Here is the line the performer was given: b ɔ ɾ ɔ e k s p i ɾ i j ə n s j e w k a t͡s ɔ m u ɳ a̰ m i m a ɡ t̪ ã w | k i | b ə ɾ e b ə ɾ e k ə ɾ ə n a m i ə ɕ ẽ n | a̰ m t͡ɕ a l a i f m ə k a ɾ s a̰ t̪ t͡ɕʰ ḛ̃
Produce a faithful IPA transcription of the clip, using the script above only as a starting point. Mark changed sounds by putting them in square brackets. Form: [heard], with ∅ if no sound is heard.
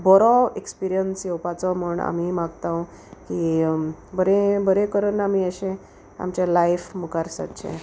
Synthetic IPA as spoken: b ɔ ɾ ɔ e k s p i ɾ i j ə n s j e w [p] a t͡s ɔ m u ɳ a̰ m i m a ɡ t̪ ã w | k i | b ə ɾ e b ə ɾ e k ə ɾ ə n a m i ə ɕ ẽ [∅] | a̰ m t͡ɕ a l a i f m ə k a ɾ s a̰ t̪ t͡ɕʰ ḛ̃